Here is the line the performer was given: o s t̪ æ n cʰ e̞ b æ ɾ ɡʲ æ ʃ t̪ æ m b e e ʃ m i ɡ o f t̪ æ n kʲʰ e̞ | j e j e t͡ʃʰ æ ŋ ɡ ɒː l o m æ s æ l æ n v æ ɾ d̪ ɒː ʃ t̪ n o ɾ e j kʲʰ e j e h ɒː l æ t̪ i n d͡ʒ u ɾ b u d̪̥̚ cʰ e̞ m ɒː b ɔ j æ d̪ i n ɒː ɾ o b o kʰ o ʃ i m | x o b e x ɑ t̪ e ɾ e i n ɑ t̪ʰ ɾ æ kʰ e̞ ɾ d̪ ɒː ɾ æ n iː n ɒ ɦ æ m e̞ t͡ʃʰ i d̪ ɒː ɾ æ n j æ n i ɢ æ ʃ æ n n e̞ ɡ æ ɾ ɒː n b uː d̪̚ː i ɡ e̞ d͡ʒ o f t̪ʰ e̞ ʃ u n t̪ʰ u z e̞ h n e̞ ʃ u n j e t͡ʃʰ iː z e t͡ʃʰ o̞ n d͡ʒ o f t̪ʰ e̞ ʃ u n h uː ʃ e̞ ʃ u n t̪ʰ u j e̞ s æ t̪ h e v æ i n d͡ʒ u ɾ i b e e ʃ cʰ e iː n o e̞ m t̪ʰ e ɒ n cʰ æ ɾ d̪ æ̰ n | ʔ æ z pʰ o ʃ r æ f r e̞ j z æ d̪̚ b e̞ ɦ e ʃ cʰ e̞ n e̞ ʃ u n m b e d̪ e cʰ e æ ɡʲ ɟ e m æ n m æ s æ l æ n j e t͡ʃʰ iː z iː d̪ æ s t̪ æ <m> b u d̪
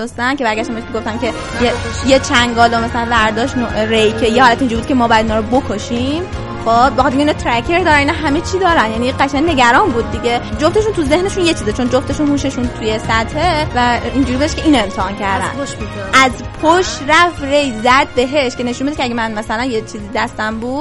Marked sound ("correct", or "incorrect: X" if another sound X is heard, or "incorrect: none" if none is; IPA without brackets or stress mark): correct